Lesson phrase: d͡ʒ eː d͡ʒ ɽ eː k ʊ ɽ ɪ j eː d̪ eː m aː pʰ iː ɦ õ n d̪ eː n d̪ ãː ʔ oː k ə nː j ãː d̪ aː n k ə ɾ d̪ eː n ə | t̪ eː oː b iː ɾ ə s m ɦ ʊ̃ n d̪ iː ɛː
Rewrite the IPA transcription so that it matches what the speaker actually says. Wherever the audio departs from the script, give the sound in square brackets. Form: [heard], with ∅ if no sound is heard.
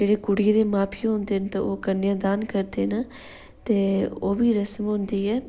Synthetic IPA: d͡ʒ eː [∅] ɽ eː k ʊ ɽ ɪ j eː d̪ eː m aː pʰ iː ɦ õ n d̪ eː n [t̪] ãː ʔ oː k ə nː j ãː d̪ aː n k ə ɾ d̪ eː n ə | t̪ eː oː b iː ɾ ə s m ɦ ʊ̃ n d̪ iː ɛː